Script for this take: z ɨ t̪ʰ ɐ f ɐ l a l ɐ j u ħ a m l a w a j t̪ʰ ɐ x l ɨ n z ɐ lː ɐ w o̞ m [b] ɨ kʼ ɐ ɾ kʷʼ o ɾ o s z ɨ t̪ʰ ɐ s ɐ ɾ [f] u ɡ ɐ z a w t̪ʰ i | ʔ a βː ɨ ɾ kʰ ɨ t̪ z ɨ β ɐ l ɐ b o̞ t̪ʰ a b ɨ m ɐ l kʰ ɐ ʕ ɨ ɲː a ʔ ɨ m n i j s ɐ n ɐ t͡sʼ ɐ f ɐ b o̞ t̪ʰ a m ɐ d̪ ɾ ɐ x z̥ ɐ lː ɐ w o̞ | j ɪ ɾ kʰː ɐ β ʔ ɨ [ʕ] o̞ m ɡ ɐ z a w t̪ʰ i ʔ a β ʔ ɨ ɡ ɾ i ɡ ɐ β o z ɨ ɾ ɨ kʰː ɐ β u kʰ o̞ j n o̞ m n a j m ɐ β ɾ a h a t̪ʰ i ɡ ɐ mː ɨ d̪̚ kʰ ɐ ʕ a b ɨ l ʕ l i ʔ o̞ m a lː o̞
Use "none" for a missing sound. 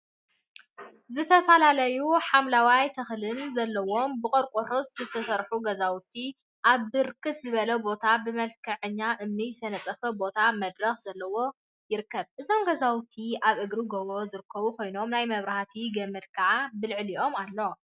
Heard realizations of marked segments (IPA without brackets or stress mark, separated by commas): b, ħ, z